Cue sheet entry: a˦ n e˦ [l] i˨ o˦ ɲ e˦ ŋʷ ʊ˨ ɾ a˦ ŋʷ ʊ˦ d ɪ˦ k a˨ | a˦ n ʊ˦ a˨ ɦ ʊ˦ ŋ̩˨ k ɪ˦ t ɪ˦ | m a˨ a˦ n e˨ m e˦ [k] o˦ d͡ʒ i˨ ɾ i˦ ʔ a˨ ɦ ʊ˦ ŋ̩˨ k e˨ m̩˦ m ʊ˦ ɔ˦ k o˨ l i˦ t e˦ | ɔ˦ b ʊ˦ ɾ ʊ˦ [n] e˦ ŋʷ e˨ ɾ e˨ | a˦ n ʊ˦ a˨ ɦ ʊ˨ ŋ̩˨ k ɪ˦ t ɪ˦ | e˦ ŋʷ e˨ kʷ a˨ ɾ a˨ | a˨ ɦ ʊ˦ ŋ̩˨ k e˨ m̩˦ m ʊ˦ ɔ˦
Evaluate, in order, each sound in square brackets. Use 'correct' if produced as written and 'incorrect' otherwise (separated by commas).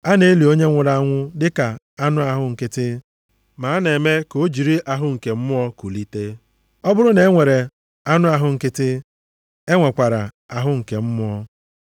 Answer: correct, correct, correct